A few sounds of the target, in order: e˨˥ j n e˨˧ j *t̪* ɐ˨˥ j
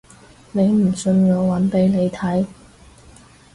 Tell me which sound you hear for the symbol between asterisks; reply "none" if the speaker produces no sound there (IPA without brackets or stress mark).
t̪ʰ